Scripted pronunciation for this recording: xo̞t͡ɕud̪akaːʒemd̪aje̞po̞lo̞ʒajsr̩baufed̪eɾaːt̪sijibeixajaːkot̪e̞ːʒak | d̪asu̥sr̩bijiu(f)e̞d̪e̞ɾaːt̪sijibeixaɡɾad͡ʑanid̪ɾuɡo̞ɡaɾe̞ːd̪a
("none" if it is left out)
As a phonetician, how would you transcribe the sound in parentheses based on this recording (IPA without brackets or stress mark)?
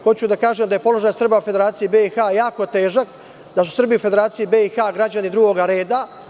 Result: f